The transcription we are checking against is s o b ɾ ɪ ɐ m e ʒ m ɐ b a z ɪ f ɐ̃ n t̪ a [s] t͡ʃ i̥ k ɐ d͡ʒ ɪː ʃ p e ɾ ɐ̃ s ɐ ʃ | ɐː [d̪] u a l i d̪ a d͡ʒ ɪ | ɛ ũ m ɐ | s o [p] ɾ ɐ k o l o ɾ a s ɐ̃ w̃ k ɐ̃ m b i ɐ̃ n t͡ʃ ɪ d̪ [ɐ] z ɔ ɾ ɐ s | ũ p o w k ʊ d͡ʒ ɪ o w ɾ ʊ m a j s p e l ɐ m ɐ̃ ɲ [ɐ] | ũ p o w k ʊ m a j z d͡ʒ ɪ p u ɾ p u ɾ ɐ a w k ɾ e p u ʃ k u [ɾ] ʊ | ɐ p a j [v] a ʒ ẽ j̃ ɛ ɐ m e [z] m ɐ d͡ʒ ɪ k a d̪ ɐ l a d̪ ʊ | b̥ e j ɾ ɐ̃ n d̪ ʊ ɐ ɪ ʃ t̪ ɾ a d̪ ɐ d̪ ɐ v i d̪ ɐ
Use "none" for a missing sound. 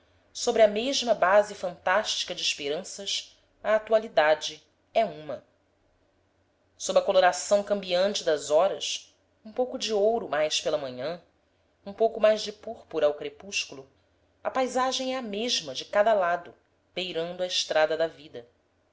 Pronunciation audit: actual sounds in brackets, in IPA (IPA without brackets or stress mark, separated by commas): ʃ, t̪, b, ɐ, ɐ̃, l, z, ʒ